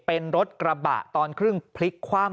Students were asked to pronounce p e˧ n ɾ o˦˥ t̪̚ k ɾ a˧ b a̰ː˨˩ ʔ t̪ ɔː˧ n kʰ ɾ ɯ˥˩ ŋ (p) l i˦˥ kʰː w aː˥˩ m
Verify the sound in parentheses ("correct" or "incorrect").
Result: incorrect